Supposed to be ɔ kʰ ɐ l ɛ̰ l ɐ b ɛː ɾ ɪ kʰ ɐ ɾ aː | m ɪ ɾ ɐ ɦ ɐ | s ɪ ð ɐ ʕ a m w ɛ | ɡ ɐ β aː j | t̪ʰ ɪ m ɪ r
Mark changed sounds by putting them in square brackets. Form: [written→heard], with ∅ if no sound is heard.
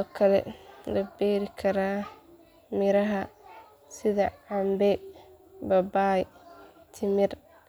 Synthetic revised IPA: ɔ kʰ ɐ l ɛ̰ l ɐ b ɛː ɾ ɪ kʰ ɐ ɾ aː | m ɪ ɾ ɐ ɦ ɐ | s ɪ ð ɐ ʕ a m [w→b] ɛ | [ɡ→b] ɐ [β→b] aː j | t̪ʰ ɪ m ɪ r

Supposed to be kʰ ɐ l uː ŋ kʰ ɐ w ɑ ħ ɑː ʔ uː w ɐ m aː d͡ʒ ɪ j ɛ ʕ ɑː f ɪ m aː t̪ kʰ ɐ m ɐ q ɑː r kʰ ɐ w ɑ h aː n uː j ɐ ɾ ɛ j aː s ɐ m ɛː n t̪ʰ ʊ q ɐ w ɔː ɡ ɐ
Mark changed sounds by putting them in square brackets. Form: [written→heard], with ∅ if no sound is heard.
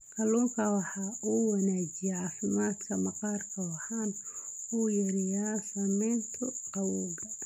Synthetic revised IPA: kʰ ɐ l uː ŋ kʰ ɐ w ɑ ħ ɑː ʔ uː w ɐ [m→n] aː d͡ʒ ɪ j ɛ ʕ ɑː f ɪ m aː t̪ kʰ ɐ m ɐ q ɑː r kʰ ɐ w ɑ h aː n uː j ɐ ɾ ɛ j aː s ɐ m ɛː n t̪ʰ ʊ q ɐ w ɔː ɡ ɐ

